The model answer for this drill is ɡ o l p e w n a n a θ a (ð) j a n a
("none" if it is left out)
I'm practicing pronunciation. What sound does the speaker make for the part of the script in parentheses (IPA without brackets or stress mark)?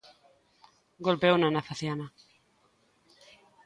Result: θ